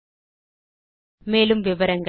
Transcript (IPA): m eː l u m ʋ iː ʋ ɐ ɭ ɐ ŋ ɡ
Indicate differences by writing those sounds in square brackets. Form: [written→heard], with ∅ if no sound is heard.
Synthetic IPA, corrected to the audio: m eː l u m ʋ [iː→i] ʋ ɐ [ɭ→ɾ] ɐ ŋ ɡ